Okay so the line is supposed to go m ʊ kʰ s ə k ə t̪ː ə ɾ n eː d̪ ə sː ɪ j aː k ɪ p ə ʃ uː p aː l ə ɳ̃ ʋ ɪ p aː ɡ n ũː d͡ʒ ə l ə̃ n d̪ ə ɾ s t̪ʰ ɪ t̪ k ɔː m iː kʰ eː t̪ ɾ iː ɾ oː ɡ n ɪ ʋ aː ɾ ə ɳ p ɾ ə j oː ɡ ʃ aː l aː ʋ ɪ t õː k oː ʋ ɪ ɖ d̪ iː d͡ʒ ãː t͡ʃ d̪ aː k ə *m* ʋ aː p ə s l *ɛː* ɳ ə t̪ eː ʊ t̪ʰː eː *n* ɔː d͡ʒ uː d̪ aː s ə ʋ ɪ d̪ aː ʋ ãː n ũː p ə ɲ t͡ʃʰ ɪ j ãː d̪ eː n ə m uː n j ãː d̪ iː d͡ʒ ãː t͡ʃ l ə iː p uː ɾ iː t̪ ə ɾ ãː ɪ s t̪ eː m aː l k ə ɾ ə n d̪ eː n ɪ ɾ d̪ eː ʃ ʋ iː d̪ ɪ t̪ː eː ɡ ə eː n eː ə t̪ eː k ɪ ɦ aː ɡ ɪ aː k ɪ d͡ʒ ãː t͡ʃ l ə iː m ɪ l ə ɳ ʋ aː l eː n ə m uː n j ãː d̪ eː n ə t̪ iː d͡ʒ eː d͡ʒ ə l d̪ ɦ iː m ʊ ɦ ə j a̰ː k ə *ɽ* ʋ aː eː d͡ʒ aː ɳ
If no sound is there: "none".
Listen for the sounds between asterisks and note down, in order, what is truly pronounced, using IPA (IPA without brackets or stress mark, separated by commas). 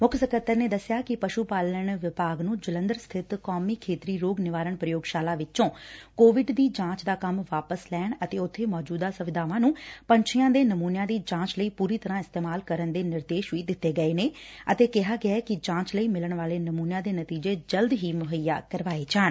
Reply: m, ɛː, m, ɾ